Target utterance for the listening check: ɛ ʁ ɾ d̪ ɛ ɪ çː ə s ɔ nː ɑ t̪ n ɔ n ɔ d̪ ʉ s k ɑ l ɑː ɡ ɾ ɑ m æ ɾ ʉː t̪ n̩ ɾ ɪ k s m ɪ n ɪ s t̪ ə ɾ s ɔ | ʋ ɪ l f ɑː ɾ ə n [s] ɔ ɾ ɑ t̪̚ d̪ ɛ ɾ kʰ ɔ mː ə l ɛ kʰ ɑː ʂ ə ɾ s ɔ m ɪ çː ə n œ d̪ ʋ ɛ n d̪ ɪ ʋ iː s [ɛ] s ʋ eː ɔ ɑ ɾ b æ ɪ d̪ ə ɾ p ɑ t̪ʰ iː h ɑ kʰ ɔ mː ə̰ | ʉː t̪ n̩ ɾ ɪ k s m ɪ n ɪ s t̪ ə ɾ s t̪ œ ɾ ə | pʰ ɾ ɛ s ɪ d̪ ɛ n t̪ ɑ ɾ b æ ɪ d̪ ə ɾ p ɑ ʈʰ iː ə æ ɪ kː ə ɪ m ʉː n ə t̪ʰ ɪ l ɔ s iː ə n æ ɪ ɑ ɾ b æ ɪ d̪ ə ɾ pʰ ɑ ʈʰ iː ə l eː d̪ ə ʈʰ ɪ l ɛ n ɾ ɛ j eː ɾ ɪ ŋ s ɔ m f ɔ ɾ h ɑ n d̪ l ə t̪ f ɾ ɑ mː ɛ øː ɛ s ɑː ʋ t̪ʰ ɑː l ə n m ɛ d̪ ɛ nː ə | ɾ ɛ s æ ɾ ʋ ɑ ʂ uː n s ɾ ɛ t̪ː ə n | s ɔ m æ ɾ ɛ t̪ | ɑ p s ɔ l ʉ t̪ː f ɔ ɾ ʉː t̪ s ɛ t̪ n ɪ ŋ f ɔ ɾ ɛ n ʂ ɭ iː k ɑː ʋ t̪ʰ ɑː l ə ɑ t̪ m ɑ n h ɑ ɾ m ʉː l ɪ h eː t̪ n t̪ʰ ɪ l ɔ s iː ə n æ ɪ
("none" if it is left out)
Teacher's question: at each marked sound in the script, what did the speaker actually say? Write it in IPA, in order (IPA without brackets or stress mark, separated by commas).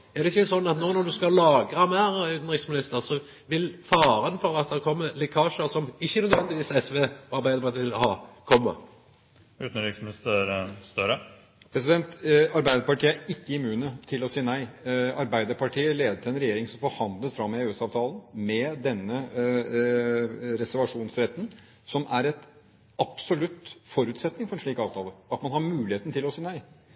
f, ɛ